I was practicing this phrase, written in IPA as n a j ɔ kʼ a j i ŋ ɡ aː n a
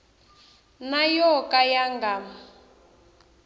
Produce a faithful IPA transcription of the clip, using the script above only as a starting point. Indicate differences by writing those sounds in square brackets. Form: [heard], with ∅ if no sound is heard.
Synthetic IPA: n a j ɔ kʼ a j [a] ŋ ɡ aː [m] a

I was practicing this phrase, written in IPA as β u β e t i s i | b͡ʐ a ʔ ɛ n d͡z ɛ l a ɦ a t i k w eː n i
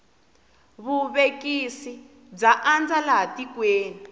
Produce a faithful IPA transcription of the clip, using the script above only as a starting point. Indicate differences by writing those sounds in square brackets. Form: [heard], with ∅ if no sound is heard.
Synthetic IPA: β u β e [k] i s i | b͡ʐ a ʔ [a] n d͡z [a] l a ɦ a t i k w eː n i

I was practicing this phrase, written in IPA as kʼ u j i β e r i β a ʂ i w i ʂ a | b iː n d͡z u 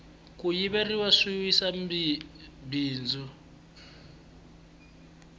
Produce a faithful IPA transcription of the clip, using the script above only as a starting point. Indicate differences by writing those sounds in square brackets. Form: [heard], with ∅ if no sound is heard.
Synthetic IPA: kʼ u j i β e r i [w] a ʂ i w i [s] a | b iː n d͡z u

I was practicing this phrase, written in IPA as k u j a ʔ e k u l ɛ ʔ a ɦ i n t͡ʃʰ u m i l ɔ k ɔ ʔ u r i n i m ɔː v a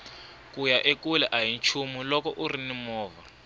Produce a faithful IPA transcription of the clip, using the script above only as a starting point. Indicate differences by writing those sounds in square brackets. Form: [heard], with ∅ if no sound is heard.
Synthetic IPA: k u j a ʔ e k u l ɛ ʔ a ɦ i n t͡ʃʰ u m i l ɔ k ɔ ʔ u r i n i m ɔː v a

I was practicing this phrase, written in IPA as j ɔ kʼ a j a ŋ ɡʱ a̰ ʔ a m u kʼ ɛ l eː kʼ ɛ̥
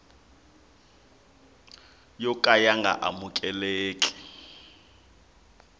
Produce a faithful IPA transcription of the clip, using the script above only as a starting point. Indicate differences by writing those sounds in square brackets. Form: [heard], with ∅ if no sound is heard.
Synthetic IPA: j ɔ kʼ a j a ŋ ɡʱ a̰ ʔ a m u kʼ ɛ l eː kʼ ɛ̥

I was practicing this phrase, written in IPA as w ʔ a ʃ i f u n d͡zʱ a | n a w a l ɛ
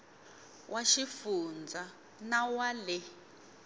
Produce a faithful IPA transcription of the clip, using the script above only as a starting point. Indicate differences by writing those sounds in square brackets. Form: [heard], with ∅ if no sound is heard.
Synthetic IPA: w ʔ a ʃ i f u n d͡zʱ a | n a w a l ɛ

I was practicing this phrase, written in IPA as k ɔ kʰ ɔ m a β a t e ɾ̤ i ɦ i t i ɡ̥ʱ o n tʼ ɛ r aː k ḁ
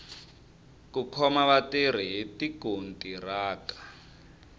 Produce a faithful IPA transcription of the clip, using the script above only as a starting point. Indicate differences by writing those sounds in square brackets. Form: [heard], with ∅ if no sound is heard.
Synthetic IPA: k [u] kʰ ɔ m a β a t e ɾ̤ i ɦ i t i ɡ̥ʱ o n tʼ [i] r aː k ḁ

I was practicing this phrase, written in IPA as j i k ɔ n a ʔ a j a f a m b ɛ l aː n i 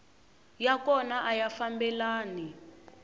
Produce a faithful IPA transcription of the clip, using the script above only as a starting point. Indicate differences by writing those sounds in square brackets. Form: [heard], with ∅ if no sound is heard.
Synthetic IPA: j [a] k ɔ n a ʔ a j a f a m b ɛ l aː n i

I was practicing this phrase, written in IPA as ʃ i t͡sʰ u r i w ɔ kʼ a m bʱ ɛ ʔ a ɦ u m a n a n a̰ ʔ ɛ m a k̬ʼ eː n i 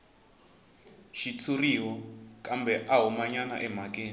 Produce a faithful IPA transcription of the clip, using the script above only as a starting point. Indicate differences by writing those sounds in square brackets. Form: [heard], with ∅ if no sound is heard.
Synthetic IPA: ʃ i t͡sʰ u r i w ɔ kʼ a m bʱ ɛ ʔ a ɦ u m a [ɲ] a n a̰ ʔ ɛ m a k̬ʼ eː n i

